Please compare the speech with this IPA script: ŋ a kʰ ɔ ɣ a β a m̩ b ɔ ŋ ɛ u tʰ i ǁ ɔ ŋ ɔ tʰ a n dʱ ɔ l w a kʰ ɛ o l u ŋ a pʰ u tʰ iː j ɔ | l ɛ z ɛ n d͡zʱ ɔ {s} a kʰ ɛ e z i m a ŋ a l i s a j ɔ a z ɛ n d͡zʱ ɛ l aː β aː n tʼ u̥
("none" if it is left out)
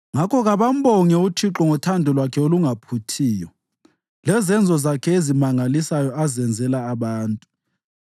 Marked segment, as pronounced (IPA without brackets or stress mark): z